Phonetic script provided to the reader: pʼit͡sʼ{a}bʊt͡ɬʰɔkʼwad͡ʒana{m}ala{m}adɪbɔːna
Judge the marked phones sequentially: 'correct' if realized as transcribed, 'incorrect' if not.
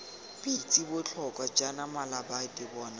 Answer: incorrect: i, correct, incorrect: b

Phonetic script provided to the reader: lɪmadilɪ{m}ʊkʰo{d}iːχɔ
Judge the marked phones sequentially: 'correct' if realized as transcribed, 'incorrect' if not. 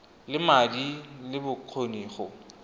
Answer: incorrect: b, incorrect: n

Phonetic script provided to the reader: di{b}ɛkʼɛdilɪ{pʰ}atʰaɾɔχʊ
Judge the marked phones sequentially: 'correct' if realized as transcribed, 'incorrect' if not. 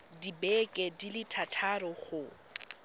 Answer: correct, incorrect: tʰ

